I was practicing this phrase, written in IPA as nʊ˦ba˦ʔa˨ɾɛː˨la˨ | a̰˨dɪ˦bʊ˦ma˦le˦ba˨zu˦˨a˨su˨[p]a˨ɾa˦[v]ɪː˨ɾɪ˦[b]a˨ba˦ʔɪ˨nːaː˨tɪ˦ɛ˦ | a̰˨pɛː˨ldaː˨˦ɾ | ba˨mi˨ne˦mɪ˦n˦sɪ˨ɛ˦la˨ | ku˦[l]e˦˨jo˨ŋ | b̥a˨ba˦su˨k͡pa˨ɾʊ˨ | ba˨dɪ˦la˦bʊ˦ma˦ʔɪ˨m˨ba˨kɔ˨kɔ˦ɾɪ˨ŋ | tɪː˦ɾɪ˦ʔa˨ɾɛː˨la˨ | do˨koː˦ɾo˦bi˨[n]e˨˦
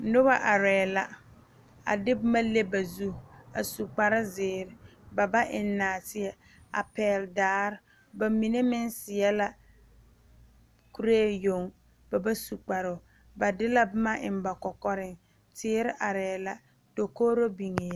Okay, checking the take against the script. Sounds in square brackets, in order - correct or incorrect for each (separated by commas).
incorrect, incorrect, correct, incorrect, incorrect